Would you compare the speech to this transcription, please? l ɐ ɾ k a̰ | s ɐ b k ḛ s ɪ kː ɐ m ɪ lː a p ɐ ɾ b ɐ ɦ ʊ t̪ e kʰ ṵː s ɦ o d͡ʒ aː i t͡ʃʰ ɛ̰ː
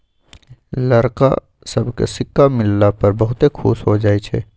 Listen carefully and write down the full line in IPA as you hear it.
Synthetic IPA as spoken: l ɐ ɾ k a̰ | s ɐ b k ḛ s ɪ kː a m ɪ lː a p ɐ ɾ b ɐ ɦ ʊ t̪ e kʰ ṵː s ɦ o d͡ʒ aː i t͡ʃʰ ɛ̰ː